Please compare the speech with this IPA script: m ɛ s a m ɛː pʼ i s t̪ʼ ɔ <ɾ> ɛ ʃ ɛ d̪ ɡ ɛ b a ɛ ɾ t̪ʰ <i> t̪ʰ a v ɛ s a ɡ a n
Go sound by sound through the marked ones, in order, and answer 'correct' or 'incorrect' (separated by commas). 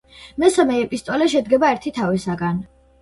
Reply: incorrect, correct